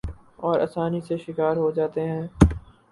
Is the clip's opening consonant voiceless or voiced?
voiced